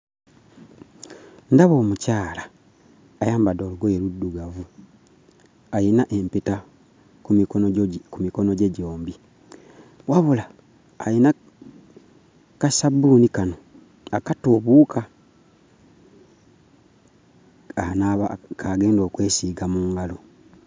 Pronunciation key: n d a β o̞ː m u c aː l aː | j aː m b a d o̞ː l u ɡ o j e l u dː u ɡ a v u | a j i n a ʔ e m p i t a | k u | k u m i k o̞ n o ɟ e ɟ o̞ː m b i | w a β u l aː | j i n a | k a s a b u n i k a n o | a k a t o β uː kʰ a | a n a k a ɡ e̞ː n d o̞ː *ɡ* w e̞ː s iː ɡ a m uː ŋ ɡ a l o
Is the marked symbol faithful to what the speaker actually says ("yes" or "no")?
no